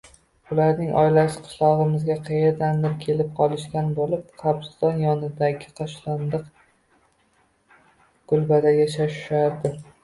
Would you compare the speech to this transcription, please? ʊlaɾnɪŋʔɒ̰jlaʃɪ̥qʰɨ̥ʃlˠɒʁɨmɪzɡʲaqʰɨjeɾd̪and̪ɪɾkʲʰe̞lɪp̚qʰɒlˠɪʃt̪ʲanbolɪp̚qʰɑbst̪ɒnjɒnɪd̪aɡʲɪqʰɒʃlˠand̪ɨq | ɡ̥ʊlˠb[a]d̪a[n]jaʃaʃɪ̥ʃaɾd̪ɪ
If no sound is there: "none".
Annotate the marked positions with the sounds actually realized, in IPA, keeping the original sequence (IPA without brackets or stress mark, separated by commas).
a, none